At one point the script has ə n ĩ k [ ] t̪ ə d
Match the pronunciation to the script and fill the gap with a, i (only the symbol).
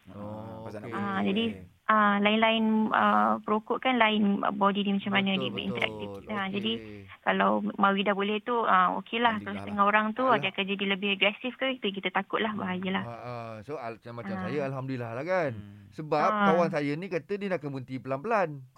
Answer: a